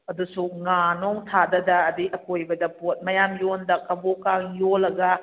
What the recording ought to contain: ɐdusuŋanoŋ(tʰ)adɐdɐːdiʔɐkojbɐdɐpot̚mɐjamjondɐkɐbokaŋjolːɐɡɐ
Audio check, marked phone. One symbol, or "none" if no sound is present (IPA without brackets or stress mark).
tʰ